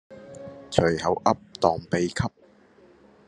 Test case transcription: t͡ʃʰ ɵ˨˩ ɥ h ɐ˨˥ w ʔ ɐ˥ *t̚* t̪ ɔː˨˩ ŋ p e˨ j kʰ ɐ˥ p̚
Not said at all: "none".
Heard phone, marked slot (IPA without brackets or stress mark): p̚